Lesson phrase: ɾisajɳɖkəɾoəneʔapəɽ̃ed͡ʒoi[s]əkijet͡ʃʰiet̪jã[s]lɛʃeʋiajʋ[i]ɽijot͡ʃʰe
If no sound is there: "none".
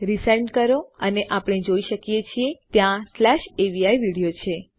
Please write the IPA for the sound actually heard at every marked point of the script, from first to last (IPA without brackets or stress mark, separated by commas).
ʃ, s, i